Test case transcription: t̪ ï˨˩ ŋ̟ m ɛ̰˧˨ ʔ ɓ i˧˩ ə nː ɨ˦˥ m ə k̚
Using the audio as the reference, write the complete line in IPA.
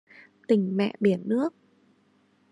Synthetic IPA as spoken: t̪ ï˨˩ ŋ̟ m ɛ̰˧˨ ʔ ɓ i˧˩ ə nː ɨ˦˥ ə k̚